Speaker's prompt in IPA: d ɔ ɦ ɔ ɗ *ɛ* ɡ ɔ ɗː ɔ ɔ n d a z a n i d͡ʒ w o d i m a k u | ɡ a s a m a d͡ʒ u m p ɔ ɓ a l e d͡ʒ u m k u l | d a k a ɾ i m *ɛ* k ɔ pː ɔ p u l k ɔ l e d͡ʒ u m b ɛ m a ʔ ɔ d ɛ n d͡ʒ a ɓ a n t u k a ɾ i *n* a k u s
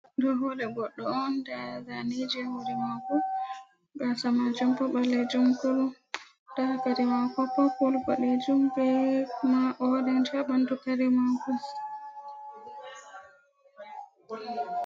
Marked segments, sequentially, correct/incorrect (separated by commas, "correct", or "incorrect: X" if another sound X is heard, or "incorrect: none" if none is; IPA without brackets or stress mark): correct, incorrect: a, incorrect: m